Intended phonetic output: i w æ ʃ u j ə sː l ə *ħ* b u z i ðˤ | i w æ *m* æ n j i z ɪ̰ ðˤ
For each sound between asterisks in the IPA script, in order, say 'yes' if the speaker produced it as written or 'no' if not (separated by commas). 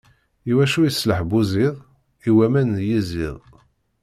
yes, yes